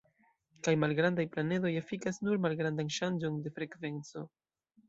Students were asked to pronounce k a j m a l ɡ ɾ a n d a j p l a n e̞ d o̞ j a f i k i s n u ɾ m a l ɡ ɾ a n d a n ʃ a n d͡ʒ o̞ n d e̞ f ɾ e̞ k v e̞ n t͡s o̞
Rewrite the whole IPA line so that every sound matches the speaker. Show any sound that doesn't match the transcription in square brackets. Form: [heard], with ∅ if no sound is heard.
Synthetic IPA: k a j m a l ɡ ɾ a n d a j p l a n e̞ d o̞ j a f i k [a] s n u ɾ m a l ɡ ɾ a n d a n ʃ a n d͡ʒ o̞ n d e̞ f ɾ e̞ k v e̞ n t͡s o̞